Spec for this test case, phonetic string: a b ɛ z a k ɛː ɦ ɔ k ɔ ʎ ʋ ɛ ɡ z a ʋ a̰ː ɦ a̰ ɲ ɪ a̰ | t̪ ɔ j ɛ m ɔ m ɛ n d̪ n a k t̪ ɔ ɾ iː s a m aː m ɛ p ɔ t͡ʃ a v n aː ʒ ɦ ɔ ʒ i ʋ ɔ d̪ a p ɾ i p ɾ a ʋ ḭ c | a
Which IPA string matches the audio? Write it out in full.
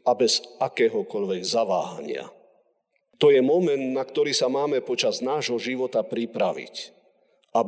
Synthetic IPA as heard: a b ɛ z a k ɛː ɦ ɔ k ɔ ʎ ʋ ɛ ɡ z a ʋ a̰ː ɦ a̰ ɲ ɪ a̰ | t̪ ɔ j ɛ m ɔ m ɛ n d̪ n a k t̪ ɔ ɾ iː s a m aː m ɛ p ɔ t͡ʃ a z n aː ʒ ɦ ɔ ʒ i ʋ ɔ t̪ a p ɾ i p ɾ a ʋ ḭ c | a